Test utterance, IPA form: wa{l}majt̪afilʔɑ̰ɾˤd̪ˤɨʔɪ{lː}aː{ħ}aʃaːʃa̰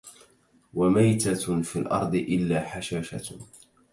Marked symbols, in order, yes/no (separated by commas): no, yes, yes